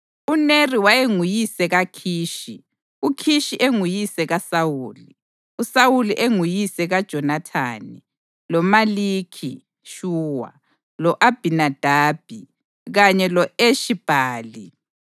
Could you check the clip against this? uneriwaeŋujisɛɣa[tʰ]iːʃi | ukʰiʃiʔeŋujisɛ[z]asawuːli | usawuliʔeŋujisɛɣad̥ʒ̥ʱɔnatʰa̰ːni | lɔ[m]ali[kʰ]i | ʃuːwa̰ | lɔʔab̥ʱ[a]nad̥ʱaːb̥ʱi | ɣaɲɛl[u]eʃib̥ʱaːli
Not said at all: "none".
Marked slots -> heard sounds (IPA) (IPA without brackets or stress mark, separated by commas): kʰ, ɣ, m, kʰ, i, ɔ